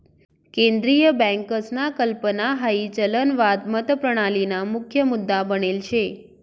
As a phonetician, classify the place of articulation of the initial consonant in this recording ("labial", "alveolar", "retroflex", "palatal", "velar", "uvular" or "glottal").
velar